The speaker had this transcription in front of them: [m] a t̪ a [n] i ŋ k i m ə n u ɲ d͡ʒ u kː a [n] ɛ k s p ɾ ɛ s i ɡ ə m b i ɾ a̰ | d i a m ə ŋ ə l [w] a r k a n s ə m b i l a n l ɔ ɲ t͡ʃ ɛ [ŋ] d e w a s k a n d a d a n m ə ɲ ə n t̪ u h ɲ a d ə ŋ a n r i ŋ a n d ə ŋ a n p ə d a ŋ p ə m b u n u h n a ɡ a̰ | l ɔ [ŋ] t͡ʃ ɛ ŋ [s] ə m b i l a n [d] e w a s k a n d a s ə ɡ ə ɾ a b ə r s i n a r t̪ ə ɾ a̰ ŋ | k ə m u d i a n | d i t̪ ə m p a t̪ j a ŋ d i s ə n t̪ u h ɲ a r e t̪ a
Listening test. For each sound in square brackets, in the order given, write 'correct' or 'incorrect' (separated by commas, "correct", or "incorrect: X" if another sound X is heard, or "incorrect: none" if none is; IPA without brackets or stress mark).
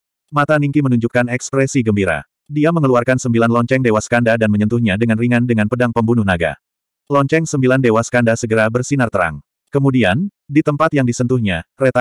correct, correct, correct, incorrect: u, correct, incorrect: ɲ, correct, correct